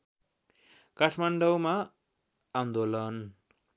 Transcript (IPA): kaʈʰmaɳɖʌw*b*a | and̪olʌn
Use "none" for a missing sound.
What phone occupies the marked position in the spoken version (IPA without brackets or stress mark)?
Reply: m